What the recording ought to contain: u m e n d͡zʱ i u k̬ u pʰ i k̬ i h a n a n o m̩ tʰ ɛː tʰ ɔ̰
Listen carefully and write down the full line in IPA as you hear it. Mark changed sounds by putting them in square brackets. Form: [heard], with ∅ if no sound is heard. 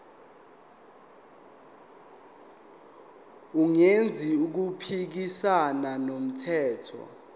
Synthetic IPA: u [ŋ] e n d͡zʱ i u k̬ u pʰ i k̬ i [s] a n a n o m̩ tʰ ɛː tʰ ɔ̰